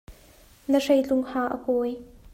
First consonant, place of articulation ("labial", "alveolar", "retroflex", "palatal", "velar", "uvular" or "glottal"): alveolar